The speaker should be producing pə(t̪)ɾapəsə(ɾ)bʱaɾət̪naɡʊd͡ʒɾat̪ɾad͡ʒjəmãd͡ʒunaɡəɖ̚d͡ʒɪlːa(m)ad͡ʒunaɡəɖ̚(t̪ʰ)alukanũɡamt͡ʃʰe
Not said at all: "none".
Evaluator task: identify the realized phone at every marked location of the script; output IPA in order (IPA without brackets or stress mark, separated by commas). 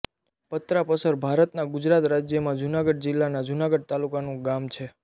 t̪, ɾ, n, t̪